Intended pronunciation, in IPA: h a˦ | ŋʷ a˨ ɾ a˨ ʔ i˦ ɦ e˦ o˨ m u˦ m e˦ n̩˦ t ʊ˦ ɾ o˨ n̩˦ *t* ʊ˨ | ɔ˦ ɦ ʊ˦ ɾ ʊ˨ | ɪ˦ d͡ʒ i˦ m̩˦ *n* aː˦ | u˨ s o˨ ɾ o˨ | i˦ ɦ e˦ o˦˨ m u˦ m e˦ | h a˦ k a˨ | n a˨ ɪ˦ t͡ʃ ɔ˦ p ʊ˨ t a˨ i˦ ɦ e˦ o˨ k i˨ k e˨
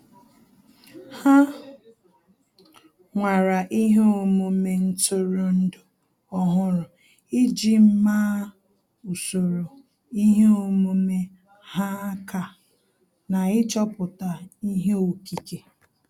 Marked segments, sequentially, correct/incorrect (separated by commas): incorrect, incorrect